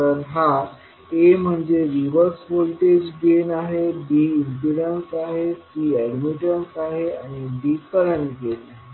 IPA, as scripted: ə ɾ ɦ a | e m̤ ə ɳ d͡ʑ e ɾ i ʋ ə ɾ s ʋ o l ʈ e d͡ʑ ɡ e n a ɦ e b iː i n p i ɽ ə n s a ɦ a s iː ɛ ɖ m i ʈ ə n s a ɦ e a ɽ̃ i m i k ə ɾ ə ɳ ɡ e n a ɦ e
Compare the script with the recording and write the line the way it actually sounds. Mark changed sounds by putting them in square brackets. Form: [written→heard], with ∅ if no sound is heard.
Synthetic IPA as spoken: ə ɾ ɦ a | e m̤ ə ɳ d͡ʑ e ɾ i ʋ ə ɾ s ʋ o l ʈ e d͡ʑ ɡ e n a ɦ e b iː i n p i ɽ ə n s a ɦ [a→e] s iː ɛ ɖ m i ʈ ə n s a ɦ e a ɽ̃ i [m→b] i k ə ɾ ə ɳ ɡ e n a ɦ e